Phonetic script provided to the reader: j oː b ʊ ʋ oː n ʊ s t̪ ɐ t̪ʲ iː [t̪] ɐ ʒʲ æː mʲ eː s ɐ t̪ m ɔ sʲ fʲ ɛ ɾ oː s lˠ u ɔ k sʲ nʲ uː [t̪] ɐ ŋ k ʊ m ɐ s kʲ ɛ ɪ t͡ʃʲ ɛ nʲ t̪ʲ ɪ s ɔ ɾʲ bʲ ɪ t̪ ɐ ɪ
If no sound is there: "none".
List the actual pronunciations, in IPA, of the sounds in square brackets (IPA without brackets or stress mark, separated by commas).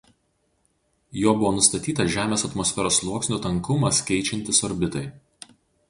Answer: t̪, t̪